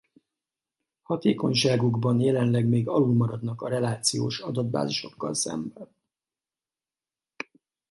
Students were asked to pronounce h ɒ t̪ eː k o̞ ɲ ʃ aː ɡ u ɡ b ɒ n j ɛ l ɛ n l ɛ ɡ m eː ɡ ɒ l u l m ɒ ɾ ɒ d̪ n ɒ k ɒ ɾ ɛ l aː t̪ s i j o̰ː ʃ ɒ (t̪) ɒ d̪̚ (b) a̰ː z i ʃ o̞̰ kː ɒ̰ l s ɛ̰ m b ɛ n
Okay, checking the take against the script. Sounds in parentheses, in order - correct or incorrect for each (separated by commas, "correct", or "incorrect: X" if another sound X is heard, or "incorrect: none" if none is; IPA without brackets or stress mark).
incorrect: d̪, correct